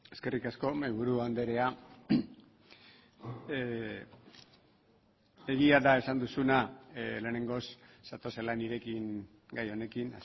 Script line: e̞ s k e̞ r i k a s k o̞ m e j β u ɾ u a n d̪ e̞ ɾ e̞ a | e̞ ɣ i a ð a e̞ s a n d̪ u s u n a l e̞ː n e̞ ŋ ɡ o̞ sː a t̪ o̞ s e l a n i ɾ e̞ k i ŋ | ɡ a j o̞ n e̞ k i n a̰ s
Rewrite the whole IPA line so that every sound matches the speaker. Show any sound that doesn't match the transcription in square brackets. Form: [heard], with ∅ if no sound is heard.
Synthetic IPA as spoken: e̞ s k e̞ r i k a s k o̞ m [a] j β u ɾ u a n d̪ e̞ ɾ e̞ a | e̞ ɣ i a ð a e̞ s a n d̪ u s u n a l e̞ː n e̞ ŋ ɡ o̞ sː a t̪ o̞ s e l a n i ɾ e̞ k i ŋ | ɡ a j o̞ n e̞ k i n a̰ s

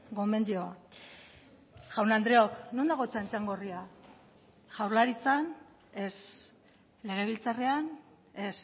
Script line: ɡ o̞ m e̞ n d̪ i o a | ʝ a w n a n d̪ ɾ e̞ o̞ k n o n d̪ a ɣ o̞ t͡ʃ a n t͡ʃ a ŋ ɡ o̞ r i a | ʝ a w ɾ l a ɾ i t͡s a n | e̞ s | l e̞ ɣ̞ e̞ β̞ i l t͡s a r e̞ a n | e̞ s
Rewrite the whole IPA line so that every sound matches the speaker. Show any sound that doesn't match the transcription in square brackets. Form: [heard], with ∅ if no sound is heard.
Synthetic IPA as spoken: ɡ o̞ m e̞ n d̪ i o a | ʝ a w n a n d̪ ɾ e̞ o̞ k n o n d̪ a ɣ o̞ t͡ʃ a n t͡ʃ a ŋ ɡ o̞ r i a | ʝ a w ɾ l a ɾ i t͡s a n | e̞ s | l e̞ ɣ̞ e̞ β̞ i l t͡s a r e̞ a n | e̞ s

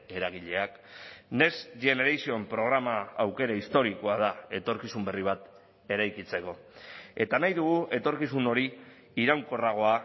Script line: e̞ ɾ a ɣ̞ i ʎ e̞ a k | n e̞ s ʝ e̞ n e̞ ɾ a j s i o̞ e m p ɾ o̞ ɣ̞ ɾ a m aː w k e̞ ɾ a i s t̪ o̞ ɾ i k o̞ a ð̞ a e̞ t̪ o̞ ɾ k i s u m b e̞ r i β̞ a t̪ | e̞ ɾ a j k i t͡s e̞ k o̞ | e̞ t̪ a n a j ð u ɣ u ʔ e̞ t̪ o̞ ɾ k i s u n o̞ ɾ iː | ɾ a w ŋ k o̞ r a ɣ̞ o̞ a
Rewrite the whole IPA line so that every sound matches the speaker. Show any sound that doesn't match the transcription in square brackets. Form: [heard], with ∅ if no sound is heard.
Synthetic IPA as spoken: e̞ ɾ a ɣ̞ i ʎ e̞ a k | n e̞ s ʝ e̞ n e̞ ɾ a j s i o̞ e m p ɾ o̞ ɣ̞ ɾ a m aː w k e̞ ɾ a i s t̪ o̞ ɾ i k o̞ a ð̞ a e̞ t̪ o̞ ɾ k i s u m b e̞ r i β̞ a t̪ | e̞ ɾ a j k i t͡s e̞ k o̞ | e̞ t̪ a n a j ð u ɣ u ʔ e̞ t̪ o̞ ɾ k i s u n o̞ ɾ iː | ɾ a w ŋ k o̞ r a ɣ̞ o̞ a

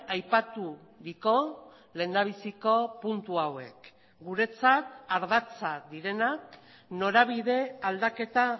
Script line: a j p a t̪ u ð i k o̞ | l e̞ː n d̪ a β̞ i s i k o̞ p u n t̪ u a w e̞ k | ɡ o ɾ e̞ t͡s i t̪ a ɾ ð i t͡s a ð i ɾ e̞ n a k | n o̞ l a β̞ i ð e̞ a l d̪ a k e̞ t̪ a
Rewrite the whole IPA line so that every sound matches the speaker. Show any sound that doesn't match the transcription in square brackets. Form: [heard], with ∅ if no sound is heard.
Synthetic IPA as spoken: a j p a t̪ u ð i k o̞ | l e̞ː n d̪ a β̞ i s i k o̞ p u n t̪ u a w e̞ k | ɡ [u] ɾ e̞ t͡s [a] t̪ a ɾ ð [a] t͡s a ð i ɾ e̞ n a k | n o̞ [ɾ] a β̞ i ð e̞ a l d̪ a k e̞ t̪ a

